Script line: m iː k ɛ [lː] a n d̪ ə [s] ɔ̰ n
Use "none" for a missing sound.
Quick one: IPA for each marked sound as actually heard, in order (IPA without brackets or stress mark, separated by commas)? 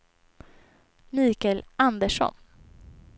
l, ʂ